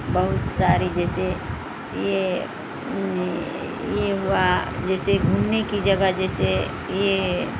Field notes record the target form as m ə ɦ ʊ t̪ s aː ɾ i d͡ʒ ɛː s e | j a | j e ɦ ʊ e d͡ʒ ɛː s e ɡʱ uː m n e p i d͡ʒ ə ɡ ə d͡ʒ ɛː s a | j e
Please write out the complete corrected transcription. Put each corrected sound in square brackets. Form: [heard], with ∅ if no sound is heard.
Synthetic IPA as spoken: [b] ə ɦ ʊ t̪ s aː ɾ i d͡ʒ ɛː s e | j [e] | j e ɦ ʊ [a] d͡ʒ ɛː s e ɡʱ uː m n e [k] i d͡ʒ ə ɡ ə d͡ʒ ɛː s [e] | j e